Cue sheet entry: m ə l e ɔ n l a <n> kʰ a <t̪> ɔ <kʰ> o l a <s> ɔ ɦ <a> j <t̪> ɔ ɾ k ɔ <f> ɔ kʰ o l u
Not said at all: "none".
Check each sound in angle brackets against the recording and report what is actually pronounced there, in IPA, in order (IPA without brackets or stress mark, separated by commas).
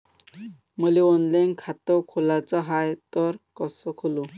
n, t̪, kʰ, t͡s, a, t̪, s